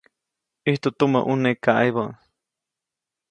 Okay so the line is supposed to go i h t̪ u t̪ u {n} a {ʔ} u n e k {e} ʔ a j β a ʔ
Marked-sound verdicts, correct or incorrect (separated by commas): incorrect, correct, incorrect